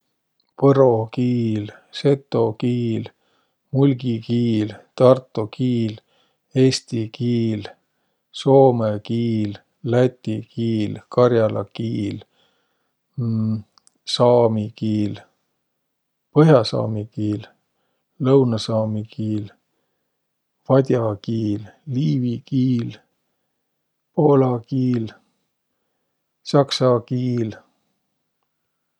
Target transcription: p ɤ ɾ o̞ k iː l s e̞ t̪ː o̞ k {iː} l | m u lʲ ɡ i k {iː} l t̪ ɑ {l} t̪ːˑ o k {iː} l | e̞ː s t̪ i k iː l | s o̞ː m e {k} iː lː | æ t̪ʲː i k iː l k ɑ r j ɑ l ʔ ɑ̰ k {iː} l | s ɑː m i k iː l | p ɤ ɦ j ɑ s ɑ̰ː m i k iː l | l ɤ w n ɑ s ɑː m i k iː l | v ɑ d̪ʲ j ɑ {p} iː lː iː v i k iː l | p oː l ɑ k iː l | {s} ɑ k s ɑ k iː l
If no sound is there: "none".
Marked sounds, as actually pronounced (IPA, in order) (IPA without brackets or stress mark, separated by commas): iː, iː, r, iː, k, iː, k, s